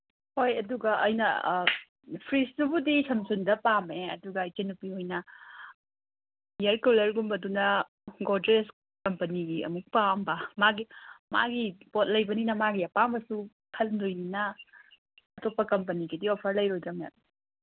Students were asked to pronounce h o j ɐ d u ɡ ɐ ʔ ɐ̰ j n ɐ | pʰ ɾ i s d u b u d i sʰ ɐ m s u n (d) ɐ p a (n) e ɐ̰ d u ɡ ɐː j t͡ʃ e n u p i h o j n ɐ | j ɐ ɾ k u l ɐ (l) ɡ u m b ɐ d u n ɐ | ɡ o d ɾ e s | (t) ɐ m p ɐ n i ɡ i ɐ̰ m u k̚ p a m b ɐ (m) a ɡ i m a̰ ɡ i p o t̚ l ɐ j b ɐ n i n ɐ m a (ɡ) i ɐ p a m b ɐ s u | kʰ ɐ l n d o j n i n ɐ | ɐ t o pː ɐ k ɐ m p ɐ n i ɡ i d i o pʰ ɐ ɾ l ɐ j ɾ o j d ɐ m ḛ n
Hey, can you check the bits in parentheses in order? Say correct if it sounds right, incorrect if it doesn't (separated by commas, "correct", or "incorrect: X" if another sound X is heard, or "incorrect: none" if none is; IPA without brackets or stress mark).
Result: correct, incorrect: m, incorrect: ɾ, incorrect: k, correct, correct